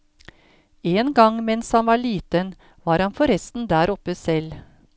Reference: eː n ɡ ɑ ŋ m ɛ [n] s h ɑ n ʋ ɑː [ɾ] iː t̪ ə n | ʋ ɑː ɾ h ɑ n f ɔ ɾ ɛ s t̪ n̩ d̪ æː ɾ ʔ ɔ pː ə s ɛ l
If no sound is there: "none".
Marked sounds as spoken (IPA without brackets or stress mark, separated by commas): n, ɭ